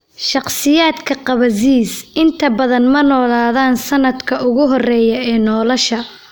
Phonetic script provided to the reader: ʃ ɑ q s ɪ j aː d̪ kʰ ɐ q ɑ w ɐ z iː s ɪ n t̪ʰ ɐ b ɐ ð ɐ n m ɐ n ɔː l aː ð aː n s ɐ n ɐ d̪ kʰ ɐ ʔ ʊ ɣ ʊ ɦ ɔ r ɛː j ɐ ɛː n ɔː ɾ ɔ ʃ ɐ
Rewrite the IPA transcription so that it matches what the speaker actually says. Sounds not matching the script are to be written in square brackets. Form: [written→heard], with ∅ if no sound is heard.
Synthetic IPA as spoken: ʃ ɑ q s ɪ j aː d̪ kʰ ɐ q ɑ [w→β] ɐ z iː s ɪ n t̪ʰ ɐ b ɐ ð ɐ n m ɐ n ɔː l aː ð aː n s ɐ n ɐ d̪ kʰ ɐ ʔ ʊ ɣ ʊ ɦ ɔ r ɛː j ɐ ɛː n ɔː [ɾ→l] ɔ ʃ ɐ